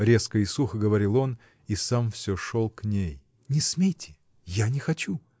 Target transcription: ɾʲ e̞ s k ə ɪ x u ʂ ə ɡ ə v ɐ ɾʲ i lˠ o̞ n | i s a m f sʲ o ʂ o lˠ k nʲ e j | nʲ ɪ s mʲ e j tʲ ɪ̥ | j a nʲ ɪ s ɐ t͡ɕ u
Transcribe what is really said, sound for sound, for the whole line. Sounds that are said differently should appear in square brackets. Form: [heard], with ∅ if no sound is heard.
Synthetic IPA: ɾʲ e̞ s k ə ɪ [s] u [x] ə ɡ ə v ɐ ɾʲ i lˠ o̞ n | i s a m f sʲ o ʂ o lˠ k nʲ e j | nʲ ɪ s mʲ e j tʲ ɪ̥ | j a nʲ ɪ [x] ɐ t͡ɕ u